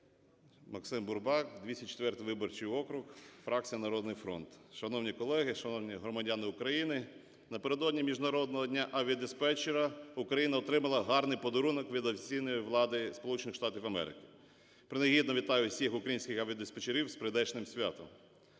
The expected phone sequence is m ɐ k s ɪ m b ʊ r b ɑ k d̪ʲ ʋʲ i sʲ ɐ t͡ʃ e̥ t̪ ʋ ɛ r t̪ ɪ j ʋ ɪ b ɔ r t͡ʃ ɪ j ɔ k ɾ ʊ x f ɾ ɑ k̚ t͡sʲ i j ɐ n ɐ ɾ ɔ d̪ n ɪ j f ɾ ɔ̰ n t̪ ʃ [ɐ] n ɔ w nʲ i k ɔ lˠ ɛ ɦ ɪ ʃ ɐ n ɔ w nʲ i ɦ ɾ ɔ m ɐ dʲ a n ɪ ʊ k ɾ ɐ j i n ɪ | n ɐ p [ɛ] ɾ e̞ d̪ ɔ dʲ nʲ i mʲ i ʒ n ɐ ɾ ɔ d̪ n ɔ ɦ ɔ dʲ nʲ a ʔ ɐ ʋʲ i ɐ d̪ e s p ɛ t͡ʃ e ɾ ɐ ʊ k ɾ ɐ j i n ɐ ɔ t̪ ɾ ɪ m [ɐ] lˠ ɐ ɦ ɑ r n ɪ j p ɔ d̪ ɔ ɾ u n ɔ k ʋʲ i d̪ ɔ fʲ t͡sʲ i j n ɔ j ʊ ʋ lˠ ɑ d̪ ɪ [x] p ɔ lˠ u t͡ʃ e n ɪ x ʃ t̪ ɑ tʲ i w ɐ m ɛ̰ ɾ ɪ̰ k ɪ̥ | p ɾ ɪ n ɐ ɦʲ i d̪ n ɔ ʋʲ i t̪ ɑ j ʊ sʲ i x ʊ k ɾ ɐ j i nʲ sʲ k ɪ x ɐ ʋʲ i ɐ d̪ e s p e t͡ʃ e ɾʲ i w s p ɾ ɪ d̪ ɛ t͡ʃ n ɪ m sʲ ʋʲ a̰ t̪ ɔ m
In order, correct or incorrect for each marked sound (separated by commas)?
correct, incorrect, correct, incorrect